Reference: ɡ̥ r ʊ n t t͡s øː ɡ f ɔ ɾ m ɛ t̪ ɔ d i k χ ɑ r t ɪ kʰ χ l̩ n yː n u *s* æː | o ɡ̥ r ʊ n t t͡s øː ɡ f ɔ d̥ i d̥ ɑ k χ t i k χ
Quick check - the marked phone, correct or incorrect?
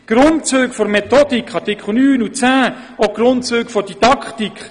incorrect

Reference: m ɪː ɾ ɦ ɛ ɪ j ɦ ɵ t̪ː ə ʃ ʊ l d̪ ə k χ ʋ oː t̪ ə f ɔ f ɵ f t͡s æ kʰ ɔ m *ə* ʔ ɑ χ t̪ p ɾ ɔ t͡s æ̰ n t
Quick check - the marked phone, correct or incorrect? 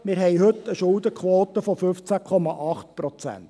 incorrect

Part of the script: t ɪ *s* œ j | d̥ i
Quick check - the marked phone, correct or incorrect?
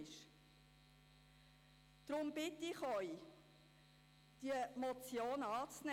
incorrect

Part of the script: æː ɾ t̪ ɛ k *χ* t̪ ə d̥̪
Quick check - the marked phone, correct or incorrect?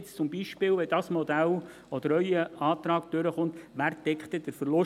correct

